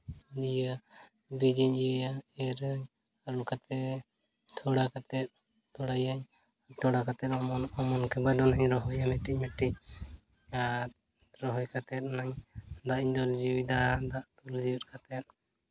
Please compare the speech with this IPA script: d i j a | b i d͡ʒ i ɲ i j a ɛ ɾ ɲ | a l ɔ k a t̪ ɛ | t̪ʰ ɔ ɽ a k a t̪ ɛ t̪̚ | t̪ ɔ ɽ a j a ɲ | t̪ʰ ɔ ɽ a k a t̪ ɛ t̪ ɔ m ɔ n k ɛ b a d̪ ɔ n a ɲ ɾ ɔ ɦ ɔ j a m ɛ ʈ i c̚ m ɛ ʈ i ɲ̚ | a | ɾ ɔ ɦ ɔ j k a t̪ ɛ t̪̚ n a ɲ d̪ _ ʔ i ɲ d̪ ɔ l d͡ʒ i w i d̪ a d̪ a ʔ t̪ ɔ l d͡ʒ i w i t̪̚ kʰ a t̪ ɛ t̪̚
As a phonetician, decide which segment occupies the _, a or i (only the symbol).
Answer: a